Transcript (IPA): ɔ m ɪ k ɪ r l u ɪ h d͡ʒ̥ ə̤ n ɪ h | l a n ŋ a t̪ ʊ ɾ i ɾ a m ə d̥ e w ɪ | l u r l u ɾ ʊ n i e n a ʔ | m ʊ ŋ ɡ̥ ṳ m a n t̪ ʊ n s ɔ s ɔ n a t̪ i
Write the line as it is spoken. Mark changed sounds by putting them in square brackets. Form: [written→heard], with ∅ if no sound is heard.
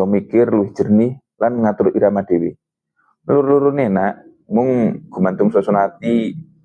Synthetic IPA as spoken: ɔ m [ɪ→i] k ɪ r l u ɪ h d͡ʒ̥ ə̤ n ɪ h | l a n ŋ a t̪ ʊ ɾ i ɾ a m [ə→a] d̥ e w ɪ | l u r l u ɾ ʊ n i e n a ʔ | m ʊ ŋ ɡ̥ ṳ m a n t̪ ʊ [n→ŋ] s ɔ s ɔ n a t̪ i